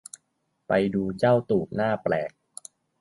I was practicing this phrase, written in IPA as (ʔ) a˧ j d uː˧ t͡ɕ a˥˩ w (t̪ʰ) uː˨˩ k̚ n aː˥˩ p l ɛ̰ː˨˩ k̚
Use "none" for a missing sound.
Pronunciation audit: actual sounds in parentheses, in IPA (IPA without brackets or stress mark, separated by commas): p, t̪